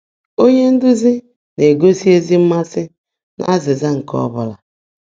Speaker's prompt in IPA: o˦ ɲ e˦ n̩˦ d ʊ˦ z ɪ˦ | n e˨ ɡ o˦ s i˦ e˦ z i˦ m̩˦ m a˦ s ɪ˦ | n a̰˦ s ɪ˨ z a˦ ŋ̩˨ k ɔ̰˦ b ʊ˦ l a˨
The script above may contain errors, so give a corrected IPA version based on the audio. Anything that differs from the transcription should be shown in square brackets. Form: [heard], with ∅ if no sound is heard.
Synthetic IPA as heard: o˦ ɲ e˦ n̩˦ d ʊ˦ z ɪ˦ | n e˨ ɡ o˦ s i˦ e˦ z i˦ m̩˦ m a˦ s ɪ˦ | n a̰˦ [z] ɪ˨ z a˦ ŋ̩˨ k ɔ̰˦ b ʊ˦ l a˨